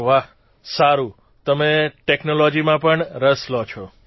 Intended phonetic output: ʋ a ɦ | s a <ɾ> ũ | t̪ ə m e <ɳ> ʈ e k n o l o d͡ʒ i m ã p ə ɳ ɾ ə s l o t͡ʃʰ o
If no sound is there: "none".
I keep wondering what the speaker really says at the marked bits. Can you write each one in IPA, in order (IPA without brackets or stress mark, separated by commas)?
ɾ, none